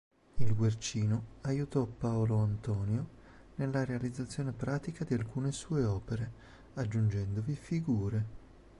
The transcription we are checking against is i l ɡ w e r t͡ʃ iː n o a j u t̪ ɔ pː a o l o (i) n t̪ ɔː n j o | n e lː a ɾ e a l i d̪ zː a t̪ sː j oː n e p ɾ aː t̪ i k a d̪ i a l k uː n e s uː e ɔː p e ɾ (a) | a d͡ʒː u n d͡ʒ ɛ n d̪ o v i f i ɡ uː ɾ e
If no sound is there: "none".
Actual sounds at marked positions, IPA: a, e

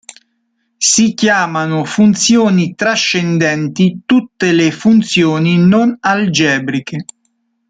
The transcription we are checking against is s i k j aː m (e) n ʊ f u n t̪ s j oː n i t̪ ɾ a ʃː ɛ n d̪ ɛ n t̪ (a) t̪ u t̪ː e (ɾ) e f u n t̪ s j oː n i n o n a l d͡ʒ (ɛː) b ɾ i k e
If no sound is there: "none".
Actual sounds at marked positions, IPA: a, i, l, ɛː

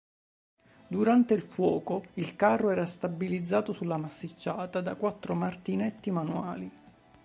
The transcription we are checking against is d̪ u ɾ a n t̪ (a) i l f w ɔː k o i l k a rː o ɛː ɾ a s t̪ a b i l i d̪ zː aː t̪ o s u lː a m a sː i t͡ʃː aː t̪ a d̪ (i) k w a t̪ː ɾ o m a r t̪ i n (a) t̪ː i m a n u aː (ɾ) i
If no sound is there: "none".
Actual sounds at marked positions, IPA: e, a, ɛ, l

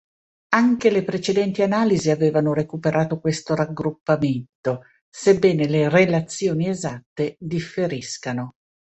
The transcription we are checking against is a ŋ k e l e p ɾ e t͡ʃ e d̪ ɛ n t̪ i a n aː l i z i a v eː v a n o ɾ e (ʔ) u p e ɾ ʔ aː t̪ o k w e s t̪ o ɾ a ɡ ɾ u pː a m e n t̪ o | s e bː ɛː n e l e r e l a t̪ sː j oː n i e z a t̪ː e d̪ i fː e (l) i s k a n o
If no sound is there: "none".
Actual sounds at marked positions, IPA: k, ɾ

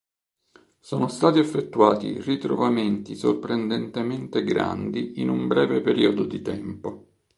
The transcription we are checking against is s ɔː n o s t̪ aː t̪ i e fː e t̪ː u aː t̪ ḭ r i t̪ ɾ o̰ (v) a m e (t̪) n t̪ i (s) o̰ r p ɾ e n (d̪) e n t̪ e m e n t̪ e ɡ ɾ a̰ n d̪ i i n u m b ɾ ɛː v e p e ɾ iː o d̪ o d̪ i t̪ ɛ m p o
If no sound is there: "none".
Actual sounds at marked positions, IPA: v, none, s, d̪

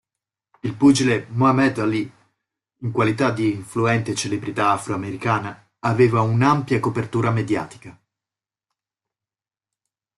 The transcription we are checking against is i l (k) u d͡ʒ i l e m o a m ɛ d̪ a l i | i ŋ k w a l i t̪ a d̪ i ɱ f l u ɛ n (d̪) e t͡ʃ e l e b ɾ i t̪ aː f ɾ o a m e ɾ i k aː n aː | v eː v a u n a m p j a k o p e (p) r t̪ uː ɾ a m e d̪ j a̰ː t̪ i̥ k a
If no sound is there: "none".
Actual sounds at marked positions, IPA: p, t̪, none

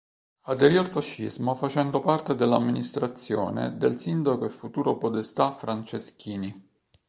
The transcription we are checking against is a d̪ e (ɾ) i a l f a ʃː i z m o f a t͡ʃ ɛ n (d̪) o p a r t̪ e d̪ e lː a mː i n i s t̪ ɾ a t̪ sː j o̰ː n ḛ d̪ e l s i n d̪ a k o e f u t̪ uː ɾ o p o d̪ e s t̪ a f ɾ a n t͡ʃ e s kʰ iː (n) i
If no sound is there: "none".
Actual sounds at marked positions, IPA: ɾ, d̪, n

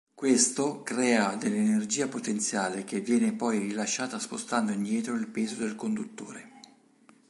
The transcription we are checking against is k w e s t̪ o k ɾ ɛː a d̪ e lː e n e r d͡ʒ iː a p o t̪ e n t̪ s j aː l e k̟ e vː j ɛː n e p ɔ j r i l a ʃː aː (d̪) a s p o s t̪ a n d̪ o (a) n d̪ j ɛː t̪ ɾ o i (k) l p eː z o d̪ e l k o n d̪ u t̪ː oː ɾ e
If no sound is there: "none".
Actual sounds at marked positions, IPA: t̪, i, none

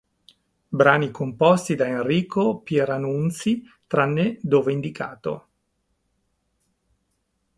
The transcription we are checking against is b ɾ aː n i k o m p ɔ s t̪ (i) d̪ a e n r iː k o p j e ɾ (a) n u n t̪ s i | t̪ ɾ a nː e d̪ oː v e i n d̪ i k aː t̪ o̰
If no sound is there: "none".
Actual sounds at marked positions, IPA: i, a

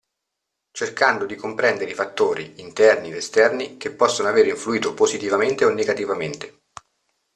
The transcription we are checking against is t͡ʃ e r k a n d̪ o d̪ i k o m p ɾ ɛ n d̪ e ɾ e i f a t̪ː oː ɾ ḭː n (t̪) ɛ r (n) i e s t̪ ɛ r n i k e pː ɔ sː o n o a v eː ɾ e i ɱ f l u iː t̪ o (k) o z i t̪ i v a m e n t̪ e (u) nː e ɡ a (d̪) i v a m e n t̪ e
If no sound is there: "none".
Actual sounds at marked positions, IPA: t̪, n, p, o, t̪

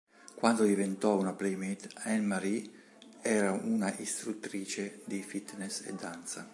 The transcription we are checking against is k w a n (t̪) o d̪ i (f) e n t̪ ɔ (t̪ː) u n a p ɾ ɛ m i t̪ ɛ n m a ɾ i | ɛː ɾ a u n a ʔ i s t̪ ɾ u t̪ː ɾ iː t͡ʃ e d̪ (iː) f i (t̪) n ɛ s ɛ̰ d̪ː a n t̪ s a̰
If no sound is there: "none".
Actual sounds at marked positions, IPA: d̪, v, none, i, t̪

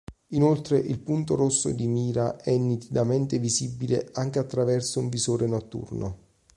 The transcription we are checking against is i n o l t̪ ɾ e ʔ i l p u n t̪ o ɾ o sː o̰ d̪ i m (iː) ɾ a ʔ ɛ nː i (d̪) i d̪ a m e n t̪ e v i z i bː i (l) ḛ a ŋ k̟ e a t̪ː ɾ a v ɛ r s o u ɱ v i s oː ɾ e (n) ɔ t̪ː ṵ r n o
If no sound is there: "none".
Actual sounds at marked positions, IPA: iː, t̪, l, n

